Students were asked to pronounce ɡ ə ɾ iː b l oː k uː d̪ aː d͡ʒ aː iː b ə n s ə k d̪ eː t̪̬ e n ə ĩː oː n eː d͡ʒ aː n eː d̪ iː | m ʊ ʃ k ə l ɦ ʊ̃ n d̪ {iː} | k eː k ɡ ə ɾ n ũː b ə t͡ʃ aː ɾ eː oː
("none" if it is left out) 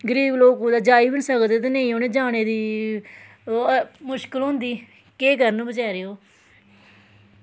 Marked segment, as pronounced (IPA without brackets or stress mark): iː